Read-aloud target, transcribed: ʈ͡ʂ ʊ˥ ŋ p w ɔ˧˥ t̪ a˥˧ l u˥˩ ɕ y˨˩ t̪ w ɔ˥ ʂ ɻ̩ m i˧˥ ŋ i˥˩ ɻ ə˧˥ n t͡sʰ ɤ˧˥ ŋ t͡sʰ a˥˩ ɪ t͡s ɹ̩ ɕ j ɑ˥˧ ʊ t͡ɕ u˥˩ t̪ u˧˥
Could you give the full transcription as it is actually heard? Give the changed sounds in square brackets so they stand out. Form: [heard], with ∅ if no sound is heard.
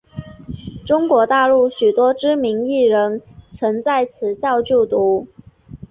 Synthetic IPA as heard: ʈ͡ʂ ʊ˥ ŋ [k] w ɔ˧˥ t̪ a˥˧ l u˥˩ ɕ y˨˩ t̪ w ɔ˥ [ʈ͡ʂ] ɻ̩ m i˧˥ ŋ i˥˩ ɻ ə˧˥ n t͡sʰ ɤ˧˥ ŋ [t͡s] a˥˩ ɪ [t͡sʰ] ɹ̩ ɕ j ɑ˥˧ ʊ t͡ɕ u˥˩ t̪ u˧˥

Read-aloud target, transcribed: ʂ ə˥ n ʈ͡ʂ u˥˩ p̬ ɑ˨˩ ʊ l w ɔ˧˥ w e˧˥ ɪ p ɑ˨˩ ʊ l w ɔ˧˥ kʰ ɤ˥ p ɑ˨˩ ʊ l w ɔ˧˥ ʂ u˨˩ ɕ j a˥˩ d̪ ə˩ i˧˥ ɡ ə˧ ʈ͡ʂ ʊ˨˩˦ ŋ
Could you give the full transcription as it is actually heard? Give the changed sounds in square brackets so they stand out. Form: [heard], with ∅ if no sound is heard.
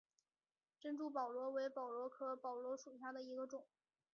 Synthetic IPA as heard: [ʈ͡ʂ] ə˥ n ʈ͡ʂ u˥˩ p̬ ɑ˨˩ ʊ l w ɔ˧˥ w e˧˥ ɪ p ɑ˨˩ ʊ l w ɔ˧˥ kʰ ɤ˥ p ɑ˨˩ ʊ l w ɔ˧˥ ʂ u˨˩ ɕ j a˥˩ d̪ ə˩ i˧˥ ɡ ə˧ ʈ͡ʂ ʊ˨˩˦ ŋ

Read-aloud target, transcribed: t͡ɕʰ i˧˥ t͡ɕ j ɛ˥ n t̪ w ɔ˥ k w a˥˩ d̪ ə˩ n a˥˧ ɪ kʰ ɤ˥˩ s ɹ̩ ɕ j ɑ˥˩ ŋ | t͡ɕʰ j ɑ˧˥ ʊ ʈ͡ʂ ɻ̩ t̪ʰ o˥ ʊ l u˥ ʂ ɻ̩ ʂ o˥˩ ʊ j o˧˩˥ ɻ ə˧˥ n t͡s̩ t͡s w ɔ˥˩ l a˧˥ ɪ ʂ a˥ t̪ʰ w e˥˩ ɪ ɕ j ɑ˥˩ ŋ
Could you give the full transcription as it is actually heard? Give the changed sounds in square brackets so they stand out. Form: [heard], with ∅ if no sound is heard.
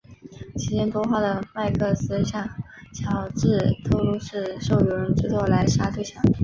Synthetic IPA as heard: t͡ɕʰ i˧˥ t͡ɕ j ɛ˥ n t̪ w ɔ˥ [x] w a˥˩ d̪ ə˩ [m] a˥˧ ɪ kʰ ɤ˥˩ s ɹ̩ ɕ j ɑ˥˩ ŋ | t͡ɕʰ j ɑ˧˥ ʊ ʈ͡ʂ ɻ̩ t̪ʰ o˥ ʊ l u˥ ʂ ɻ̩ ʂ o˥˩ ʊ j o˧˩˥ ɻ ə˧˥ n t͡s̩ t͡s w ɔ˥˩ l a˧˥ ɪ ʂ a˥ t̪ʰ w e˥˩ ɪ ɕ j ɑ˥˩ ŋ

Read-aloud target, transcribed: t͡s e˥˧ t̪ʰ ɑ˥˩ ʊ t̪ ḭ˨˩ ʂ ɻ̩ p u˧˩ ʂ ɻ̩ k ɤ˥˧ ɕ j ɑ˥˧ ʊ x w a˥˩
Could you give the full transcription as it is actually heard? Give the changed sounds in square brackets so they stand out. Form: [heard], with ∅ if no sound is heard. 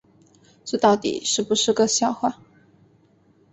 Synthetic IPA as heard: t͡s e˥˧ [t̪] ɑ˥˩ ʊ t̪ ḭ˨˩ ʂ ɻ̩ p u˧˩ ʂ ɻ̩ k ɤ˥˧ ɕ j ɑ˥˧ ʊ x w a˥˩

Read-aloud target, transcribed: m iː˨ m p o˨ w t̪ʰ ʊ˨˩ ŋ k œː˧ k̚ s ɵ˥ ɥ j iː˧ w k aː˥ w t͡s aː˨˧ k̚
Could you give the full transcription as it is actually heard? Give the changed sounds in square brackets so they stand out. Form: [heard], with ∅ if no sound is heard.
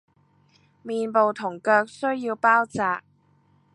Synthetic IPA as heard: m iː˨ [n] p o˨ w t̪ʰ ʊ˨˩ ŋ k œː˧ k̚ s ɵ˥ ɥ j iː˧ w [p] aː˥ w t͡s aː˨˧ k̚

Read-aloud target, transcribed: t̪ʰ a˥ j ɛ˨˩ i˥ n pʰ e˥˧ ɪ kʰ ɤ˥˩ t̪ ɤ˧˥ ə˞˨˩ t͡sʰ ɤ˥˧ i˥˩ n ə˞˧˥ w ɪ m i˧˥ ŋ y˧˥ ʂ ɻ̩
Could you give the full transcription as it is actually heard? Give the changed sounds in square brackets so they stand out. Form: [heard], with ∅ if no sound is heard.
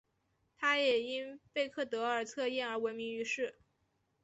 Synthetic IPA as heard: t̪ʰ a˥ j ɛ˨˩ i˥ n [p] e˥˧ ɪ kʰ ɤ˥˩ t̪ ɤ˧˥ ə˞˨˩ t͡sʰ ɤ˥˧ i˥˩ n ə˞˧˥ w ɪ m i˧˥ ŋ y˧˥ ʂ ɻ̩

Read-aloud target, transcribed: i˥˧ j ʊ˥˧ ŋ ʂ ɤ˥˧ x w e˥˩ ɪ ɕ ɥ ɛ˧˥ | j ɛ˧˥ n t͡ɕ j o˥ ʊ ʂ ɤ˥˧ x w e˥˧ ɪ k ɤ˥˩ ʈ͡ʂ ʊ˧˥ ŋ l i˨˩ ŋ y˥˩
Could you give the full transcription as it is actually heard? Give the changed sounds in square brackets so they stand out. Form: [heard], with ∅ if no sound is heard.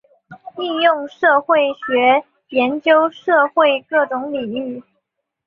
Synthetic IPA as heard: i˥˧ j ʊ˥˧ ŋ ʂ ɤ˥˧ x w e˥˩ ɪ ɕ ɥ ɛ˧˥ | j ɛ˧˥ n t͡ɕ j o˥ ʊ ʂ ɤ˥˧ x w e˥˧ ɪ k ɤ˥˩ ʈ͡ʂ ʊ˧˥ ŋ l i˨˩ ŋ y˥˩

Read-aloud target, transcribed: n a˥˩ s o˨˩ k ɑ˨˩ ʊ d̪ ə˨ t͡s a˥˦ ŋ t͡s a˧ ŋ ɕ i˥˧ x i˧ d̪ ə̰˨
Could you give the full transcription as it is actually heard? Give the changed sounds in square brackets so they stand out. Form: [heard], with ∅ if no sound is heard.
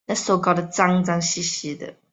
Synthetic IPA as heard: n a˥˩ s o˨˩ k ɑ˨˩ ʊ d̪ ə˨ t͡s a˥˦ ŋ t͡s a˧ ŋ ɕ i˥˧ [ɕ] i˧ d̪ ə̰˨

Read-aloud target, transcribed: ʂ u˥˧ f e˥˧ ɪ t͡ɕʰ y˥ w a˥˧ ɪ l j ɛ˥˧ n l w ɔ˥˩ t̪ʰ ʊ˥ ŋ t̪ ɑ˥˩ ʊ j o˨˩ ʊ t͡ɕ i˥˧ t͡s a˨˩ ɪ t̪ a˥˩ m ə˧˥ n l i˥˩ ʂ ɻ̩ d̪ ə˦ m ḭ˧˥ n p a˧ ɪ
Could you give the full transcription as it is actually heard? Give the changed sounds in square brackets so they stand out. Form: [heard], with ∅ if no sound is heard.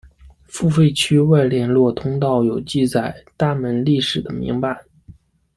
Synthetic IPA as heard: [f] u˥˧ f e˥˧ ɪ t͡ɕʰ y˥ w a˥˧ ɪ l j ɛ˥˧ n l w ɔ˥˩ t̪ʰ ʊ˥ ŋ t̪ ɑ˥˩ ʊ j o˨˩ ʊ t͡ɕ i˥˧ t͡s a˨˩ ɪ t̪ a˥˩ m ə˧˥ n l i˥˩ ʂ ɻ̩ d̪ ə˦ m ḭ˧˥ [ŋ] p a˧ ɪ

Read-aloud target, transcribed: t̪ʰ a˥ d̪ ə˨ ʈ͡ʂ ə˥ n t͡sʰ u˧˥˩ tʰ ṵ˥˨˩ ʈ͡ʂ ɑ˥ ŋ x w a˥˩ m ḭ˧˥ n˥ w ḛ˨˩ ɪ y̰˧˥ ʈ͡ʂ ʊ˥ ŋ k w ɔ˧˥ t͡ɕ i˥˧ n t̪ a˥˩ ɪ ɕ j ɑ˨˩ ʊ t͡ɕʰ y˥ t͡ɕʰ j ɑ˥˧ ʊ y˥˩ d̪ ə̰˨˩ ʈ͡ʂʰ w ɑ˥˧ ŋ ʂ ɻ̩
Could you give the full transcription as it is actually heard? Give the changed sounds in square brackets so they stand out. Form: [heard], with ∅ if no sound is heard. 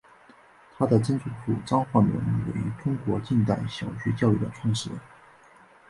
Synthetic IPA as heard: t̪ʰ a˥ d̪ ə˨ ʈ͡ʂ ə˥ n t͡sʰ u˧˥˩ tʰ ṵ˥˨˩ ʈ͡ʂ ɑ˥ ŋ x w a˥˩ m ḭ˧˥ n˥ w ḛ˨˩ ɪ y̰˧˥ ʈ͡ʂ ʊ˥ ŋ k w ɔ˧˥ t͡ɕ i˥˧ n t̪ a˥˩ ɪ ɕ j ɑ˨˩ ʊ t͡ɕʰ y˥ [t͡ɕ] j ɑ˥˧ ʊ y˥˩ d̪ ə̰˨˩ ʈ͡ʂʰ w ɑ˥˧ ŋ ʂ ɻ̩

